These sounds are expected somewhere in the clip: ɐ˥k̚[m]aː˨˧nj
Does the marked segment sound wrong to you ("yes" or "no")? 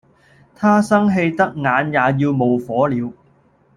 yes